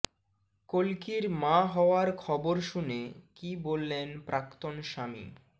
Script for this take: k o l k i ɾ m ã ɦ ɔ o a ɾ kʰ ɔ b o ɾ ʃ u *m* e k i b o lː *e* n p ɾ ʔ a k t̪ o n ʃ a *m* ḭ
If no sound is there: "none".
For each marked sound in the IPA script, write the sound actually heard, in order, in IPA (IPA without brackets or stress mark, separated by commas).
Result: n, e, m